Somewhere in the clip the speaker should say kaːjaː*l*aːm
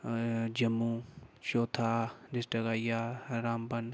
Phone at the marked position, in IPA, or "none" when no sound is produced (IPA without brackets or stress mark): ɾ